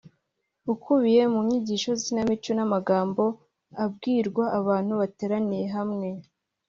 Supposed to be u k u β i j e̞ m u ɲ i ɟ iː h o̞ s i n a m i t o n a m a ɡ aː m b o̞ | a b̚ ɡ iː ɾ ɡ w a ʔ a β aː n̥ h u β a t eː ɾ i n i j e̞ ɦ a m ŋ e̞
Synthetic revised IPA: u k u β i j e̞ m u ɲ i ɟ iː ʃ o̞ z i n a m i t͡ʃ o n a m a ɡ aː m b o̞ | a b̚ ɡ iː ɾ ɡ w a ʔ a β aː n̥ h u β a t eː ɾ a n i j e̞ ɦ a m ŋ e̞